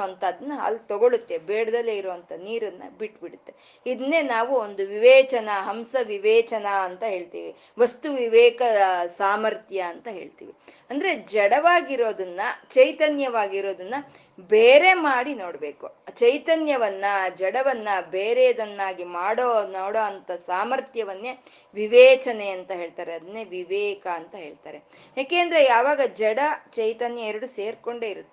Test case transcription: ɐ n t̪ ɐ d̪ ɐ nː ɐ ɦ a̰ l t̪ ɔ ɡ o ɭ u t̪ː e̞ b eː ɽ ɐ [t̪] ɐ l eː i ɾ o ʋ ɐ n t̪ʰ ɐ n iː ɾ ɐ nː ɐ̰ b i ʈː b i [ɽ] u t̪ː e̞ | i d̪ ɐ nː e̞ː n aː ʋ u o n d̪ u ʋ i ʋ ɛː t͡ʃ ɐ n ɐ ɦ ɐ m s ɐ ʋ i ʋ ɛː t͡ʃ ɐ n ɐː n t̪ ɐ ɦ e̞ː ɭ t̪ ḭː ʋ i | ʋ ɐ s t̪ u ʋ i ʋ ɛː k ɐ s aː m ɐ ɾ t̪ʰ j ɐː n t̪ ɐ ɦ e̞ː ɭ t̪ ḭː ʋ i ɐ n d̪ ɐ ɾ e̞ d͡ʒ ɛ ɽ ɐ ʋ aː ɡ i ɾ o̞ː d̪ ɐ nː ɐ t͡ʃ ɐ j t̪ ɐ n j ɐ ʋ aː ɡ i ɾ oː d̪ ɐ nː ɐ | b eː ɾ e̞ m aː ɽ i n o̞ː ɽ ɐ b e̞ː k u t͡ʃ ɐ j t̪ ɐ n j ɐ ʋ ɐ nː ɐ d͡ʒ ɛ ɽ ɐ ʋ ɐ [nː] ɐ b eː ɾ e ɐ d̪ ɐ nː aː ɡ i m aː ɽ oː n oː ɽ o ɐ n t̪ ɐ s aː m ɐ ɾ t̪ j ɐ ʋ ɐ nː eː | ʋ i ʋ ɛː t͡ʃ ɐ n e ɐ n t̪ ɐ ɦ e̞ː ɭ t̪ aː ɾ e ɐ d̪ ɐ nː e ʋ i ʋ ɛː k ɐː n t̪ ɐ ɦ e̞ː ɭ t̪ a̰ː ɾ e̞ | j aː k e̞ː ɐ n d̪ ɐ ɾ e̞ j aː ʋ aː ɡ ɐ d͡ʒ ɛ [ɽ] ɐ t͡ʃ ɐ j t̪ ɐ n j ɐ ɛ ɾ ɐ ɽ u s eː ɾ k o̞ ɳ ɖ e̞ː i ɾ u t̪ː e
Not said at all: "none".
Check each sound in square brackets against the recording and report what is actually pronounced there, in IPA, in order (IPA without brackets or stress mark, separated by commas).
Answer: d̪, ɽ, nː, ɽ